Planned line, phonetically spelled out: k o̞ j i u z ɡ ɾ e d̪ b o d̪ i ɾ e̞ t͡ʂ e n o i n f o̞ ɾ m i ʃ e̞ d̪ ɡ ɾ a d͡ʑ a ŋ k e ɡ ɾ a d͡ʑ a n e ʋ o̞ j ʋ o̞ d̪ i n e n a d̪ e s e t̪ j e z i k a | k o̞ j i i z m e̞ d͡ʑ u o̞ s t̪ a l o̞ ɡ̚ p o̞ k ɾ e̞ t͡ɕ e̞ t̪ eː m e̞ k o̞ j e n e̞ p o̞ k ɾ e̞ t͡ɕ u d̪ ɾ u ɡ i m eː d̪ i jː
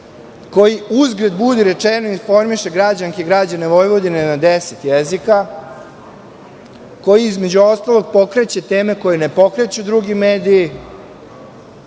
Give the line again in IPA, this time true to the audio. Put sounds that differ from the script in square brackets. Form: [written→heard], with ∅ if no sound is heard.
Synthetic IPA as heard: k o̞ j i u z ɡ ɾ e d̪ b [o→u] d̪ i ɾ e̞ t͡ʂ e n o i n f o̞ ɾ m i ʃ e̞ [d̪→∅] ɡ ɾ a d͡ʑ a ŋ k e ɡ ɾ a d͡ʑ a n e ʋ o̞ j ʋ o̞ d̪ i n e n a d̪ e s e t̪ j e z i k a | k o̞ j i i z m e̞ d͡ʑ u o̞ s t̪ a l o̞ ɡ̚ p o̞ k ɾ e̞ t͡ɕ e̞ t̪ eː m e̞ k o̞ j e n e̞ p o̞ k ɾ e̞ t͡ɕ u d̪ ɾ u ɡ i m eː d̪ i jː